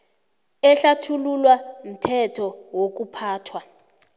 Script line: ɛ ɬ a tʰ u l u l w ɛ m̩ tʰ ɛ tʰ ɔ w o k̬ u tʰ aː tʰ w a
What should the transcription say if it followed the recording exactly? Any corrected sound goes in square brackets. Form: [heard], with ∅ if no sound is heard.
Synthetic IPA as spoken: ɛ ɬ a tʰ u l u l w [a] m̩ tʰ ɛ tʰ ɔ w o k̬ u [pʰ] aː tʰ w a